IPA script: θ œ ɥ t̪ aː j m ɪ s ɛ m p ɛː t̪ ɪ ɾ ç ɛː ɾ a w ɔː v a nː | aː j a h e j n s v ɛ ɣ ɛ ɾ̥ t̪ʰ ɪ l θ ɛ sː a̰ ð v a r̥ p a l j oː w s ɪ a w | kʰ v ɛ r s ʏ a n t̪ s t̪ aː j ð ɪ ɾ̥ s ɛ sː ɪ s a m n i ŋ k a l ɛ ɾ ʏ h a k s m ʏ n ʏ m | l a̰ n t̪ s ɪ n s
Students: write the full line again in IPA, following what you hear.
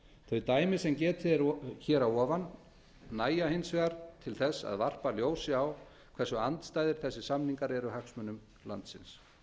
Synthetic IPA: θ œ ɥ t̪ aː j m ɪ s ɛ m c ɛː t̪ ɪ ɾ ç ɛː ɾ a w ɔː v a nː | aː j a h e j n s v ɛ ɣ a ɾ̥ t̪ʰ ɪ l θ ɛ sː a̰ ð v a r̥ p a l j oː w s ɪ a w | kʰ v ɛ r s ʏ a n t̪ s t̪ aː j ð ɪ ɾ̥ θ ɛ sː ɪ s a m n i ŋ k a ɾ ɛ ɾ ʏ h a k s m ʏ n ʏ m | l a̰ n t̪ s ɪ n s